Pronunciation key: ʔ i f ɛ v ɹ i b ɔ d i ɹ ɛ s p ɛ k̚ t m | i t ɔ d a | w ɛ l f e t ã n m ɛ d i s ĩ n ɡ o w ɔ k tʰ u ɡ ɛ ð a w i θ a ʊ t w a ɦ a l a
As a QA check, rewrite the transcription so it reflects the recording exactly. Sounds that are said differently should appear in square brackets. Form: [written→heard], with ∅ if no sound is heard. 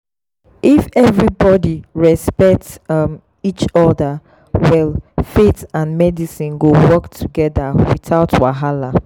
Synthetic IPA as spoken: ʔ i f ɛ v ɹ i b ɔ d i ɹ ɛ s p ɛ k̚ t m | i [t→t͡ʃ] ɔ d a | w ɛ l f e t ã n m ɛ d i s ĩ n ɡ o w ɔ k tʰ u ɡ ɛ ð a w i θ a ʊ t w a ɦ a l a